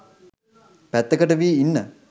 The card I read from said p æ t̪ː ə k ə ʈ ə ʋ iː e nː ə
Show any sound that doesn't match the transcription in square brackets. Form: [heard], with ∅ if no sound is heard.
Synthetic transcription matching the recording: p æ t̪ː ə k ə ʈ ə ʋ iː [i] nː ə